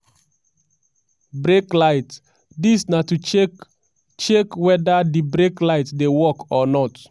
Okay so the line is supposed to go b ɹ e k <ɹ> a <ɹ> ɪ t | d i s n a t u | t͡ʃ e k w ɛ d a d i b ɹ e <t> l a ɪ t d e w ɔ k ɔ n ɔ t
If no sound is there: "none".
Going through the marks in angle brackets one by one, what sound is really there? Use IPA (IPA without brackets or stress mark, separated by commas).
l, none, k